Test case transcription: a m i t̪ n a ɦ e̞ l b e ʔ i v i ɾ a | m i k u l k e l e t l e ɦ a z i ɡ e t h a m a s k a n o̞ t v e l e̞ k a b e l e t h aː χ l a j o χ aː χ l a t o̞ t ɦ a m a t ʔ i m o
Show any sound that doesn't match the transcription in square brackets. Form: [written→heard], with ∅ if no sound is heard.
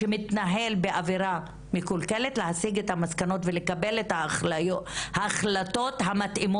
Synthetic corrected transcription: [a→e] m i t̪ n a ɦ e̞ l b e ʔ [i→a] v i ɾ a | m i k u l k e l e t l e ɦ a [z→s] i ɡ e t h a m a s k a n o̞ t v e l e̞ k a b e l e t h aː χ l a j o [χ→h] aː χ l a t o̞ t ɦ a m a t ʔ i m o